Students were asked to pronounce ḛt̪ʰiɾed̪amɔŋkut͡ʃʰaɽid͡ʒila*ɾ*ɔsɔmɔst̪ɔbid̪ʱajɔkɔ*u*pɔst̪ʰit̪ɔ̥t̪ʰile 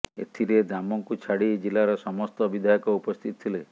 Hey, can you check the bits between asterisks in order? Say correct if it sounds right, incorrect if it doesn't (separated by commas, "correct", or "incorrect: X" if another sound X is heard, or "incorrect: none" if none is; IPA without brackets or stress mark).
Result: correct, correct